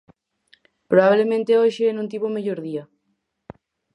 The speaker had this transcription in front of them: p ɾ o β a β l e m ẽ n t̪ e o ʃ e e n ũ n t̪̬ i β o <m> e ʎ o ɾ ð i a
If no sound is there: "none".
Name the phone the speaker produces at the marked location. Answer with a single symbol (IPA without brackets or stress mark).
m